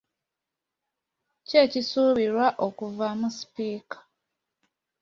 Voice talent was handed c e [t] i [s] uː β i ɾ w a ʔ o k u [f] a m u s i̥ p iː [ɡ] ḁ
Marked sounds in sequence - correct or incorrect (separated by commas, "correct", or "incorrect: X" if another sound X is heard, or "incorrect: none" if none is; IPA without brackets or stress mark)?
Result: incorrect: c, correct, incorrect: v, incorrect: k